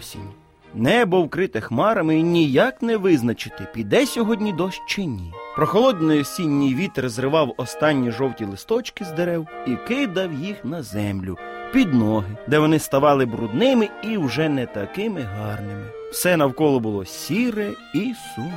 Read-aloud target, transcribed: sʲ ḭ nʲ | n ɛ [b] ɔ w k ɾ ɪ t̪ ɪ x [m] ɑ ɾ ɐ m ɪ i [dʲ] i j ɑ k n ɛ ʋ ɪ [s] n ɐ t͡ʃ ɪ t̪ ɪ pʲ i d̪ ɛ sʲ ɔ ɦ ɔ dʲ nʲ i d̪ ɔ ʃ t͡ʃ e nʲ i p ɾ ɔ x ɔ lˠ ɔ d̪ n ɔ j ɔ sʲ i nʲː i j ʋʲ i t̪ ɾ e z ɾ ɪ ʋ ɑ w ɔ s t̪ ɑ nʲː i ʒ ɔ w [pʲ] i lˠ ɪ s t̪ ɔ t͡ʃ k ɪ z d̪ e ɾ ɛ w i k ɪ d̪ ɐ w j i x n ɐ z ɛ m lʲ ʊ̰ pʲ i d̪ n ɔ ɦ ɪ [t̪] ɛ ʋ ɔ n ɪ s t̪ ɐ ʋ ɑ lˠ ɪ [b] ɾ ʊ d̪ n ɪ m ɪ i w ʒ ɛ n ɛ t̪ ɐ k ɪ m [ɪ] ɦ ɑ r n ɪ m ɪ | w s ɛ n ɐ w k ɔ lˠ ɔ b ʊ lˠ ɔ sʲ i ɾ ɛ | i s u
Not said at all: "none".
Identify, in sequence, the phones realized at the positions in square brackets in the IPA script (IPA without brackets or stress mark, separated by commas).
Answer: b, m, nʲ, z, tʲ, d̪, b, ɪ